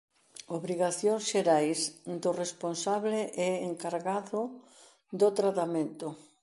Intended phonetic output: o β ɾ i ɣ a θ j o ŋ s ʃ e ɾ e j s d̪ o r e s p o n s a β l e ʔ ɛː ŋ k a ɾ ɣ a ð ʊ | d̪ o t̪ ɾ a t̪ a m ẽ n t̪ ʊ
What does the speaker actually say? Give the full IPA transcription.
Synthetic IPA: o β ɾ i ɣ a θ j o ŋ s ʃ e ɾ a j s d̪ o r e s p o n s a β l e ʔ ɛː ŋ k a ɾ ɣ a ð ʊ | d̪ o t̪ ɾ a t̪ a m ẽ n t̪ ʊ